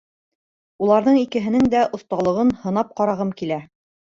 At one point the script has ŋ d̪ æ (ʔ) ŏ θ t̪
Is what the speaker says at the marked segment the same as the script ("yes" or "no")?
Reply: yes